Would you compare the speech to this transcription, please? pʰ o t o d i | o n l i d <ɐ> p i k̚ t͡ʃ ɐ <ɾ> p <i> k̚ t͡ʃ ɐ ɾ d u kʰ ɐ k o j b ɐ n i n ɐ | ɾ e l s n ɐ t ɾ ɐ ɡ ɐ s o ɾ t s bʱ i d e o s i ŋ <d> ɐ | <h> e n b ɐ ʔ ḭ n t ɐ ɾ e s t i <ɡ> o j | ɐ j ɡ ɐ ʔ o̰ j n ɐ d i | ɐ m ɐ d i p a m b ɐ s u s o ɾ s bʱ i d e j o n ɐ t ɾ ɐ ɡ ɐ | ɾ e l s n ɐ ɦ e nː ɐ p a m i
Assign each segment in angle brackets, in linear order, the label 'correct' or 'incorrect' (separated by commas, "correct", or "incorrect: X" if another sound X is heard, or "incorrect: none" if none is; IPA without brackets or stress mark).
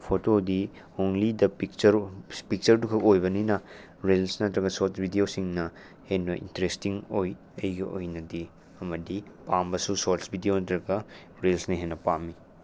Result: correct, correct, correct, incorrect: n, correct, incorrect: ŋ